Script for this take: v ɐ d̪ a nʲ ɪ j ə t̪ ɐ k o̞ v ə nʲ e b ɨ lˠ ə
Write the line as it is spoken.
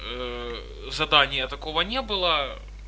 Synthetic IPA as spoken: z ɐ d̪ a nʲ ɪ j ə t̪ ɐ k o̞ v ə nʲ e b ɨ lˠ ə